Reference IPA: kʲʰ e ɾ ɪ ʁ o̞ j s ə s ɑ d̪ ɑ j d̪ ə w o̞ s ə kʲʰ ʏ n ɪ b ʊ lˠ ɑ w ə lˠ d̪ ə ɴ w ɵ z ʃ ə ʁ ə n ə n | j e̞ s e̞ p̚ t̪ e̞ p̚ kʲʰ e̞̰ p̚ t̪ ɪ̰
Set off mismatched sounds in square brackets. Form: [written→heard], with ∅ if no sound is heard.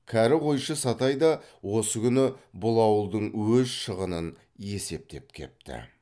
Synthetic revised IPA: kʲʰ [e→æ] ɾ ɪ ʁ o̞ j [s→ʃ] ə s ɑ [d̪→t̪] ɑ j d̪ [ə→ɑ] w o̞ s ə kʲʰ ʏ n ɪ b ʊ lˠ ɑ w ə lˠ d̪ ə ɴ w ɵ z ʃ ə ʁ ə n ə n | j e̞ s e̞ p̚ t̪ e̞ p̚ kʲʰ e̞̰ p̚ t̪ ɪ̰